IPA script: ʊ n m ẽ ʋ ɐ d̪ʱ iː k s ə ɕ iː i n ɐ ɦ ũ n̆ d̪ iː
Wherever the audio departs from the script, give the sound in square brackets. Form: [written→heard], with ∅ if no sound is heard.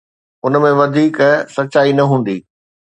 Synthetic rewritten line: ʊ n m ẽ ʋ ɐ d̪ʱ iː k s [ə→ɐ] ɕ [iː→aː] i n ɐ ɦ [ũ→ũː] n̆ d̪ iː